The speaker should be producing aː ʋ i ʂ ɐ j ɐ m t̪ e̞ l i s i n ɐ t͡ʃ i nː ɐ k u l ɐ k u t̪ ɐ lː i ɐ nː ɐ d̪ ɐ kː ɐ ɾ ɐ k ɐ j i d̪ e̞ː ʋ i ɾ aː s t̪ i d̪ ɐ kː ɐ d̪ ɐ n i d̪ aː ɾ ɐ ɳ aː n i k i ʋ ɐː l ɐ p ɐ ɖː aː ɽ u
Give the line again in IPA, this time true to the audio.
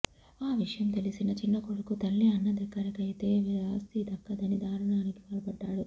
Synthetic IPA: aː ʋ i ʂ ɐ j ɐ m t̪ e̞ l i s i n ɐ t͡ʃ i nː ɐ k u ɽ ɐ k u t̪ ɐ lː i ɐ nː ɐ d̪ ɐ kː ɐ ɾ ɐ k ɐ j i t̪ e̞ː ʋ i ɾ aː s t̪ i d̪ ɐ kː ɐ d̪ ɐ n i d̪ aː ɾ ɐ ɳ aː n i k i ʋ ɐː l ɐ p ɐ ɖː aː ɽ u